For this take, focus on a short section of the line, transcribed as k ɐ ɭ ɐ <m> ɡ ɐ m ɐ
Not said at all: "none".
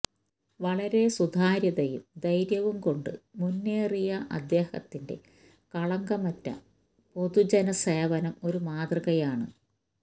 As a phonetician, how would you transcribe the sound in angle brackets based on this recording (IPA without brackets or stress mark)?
ŋ